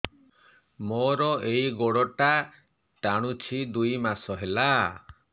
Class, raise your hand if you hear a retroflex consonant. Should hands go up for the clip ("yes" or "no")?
yes